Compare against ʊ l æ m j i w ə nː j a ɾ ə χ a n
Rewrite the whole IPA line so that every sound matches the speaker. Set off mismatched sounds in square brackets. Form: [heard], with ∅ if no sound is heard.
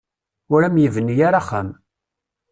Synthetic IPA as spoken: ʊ [ɾ] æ m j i [v] ə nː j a ɾ [a] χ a [m]